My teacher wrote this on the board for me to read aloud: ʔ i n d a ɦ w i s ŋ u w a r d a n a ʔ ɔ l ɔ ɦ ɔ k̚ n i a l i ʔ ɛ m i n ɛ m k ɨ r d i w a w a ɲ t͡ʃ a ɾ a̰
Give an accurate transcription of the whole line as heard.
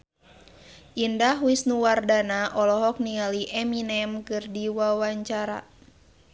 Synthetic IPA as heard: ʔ i n d a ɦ w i s n u w a r d a n a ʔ ɔ l ɔ ɦ ɔ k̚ n i a l i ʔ ɛ m i n ɛ m k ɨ r d i w a w a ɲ t͡ʃ a ɾ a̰

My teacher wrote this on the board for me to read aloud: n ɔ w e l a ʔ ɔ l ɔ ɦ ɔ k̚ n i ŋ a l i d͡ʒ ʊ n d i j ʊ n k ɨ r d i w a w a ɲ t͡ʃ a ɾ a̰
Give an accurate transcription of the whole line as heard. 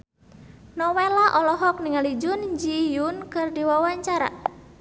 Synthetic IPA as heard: n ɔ w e l a ʔ ɔ l ɔ ɦ ɔ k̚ n i ŋ a l i d͡ʒ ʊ n d͡ʒ i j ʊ n k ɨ r d i w a w a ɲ t͡ʃ a ɾ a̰

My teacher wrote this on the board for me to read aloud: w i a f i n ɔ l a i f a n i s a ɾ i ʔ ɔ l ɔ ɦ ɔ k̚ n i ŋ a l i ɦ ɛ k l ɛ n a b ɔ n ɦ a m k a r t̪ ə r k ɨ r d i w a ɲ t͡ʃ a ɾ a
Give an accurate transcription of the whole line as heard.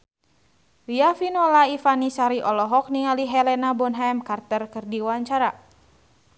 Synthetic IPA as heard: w i a f i n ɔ l a i f a n i s a ɾ i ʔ ɔ l ɔ ɦ ɔ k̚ n i ŋ a l i ɦ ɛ l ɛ n a b ɔ n ɦ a m k a r t̪ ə r k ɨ r d i w a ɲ t͡ʃ a ɾ a

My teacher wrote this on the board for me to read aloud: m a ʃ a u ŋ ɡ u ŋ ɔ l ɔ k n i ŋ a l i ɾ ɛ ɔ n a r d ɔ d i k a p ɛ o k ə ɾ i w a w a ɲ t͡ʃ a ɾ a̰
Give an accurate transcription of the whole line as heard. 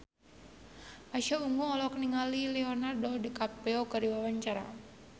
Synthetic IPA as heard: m a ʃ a u ŋ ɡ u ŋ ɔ l ɔ k n i ŋ a l i l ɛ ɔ n a r d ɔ d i k a p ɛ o k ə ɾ i w a w a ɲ t͡ʃ a ɾ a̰

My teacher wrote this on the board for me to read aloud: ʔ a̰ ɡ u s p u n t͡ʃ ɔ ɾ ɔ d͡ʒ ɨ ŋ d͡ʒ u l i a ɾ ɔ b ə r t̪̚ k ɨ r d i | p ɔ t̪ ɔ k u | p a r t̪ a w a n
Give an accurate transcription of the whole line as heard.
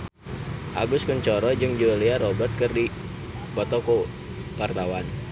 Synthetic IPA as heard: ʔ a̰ ɡ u s k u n t͡ʃ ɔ ɾ ɔ d͡ʒ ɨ ŋ d͡ʒ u l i a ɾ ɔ b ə r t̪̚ k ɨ r d i | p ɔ t̪ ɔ k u | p a r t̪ a w a n

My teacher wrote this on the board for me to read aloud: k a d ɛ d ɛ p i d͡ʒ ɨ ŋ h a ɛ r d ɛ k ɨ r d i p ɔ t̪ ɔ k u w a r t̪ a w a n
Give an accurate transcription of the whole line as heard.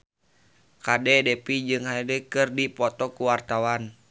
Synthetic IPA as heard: k a d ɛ d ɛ p i d͡ʒ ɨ ŋ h a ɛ d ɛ k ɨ r d i p ɔ t̪ ɔ k u w a r t̪ a w a n

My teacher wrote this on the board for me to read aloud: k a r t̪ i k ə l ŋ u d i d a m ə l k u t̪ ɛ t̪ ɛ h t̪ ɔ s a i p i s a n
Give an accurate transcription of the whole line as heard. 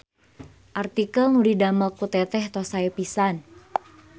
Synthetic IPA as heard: ʔ a r t̪ i k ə l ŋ u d i d a m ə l k u t̪ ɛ t̪ ɛ h t̪ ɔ s a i p i s a n

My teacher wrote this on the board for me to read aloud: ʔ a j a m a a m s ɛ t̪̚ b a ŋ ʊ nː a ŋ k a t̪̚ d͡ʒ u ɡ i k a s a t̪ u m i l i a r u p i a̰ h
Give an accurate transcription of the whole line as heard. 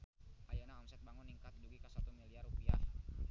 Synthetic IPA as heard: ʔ a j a n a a m s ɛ t̪̚ b a ŋ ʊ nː i ŋ k a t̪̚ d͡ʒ u ɡ i k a s a t̪ u m i l i a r u p i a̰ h

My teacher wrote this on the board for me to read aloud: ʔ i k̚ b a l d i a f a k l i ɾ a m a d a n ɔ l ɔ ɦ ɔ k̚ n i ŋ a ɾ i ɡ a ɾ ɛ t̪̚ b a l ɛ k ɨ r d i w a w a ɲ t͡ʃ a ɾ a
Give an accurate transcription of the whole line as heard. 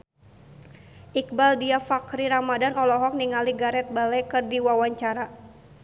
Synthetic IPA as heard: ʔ i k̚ b a l d i a f a k ɾ i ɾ a m a d a n ɔ l ɔ ɦ ɔ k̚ n i ŋ a l i ɡ a ɾ ɛ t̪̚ b a l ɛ k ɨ r d i w a w a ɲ t͡ʃ a ɾ a

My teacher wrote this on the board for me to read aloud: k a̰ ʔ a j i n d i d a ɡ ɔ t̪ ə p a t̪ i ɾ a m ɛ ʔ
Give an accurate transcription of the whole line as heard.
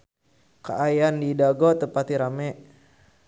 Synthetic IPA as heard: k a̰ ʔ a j a n d i d a ɡ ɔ t̪ ə p a t̪ i ɾ a m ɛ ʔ

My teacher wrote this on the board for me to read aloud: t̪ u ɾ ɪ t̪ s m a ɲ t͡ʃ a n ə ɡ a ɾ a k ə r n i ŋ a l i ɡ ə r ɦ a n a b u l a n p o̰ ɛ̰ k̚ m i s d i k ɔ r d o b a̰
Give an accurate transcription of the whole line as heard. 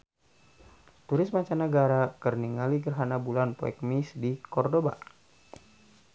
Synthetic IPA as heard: t̪ u ɾ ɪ s m a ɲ t͡ʃ a n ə ɡ a ɾ a k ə r n i ŋ a l i ɡ ə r ɦ a n a b u l a n p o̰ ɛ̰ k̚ m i s d i k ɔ r d o b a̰

